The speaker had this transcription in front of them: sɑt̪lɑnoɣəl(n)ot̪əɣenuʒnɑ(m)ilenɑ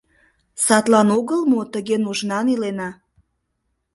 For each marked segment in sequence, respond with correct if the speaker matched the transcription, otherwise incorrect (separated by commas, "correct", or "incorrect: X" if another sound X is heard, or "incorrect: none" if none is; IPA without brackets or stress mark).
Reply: incorrect: m, incorrect: n